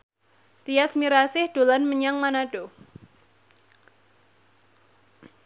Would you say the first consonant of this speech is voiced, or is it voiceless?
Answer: voiceless